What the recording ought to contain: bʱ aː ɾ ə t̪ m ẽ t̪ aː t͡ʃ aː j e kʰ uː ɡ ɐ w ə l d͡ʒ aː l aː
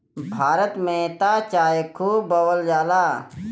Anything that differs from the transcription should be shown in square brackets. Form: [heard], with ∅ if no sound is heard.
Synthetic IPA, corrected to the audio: bʱ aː ɾ ə t̪ m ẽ t̪ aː t͡ʃ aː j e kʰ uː [b] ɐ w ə l d͡ʒ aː l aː